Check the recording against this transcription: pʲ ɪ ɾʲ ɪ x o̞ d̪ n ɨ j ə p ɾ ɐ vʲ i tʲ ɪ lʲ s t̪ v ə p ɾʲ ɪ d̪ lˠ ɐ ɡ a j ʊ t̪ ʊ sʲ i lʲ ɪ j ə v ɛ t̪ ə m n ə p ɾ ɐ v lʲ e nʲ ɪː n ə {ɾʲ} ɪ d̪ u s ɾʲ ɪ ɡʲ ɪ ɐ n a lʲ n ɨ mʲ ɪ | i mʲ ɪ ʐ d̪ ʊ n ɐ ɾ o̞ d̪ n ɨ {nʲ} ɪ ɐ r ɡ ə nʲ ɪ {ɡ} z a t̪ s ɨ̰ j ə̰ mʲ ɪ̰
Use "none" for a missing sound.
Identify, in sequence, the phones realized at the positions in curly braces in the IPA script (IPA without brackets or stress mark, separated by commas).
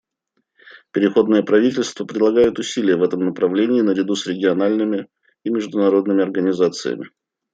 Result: ɾʲ, mʲ, none